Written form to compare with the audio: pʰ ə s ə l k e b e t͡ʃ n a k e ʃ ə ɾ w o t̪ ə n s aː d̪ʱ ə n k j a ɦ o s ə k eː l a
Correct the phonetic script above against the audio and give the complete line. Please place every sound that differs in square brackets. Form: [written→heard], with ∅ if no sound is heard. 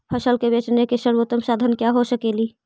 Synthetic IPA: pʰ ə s ə l k e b e t͡ʃ n [a→e] k e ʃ ə ɾ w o t̪ ə [n→m] s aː d̪ʱ ə n k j a ɦ o s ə k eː l [a→i]